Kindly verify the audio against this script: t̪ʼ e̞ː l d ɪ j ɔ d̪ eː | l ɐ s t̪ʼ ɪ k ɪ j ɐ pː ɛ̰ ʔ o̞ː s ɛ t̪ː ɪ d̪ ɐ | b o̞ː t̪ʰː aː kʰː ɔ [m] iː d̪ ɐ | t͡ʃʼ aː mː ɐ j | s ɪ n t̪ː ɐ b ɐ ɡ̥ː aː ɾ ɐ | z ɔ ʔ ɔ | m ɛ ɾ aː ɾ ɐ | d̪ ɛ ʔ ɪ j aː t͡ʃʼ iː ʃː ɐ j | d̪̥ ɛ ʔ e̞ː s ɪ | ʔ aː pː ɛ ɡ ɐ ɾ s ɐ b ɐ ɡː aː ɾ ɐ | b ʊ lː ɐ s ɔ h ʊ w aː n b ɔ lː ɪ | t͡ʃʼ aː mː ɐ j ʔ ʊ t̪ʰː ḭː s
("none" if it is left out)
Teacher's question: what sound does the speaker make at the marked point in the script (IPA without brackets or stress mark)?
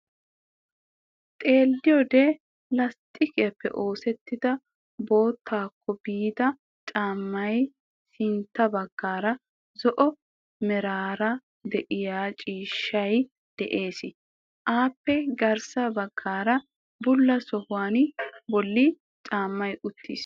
b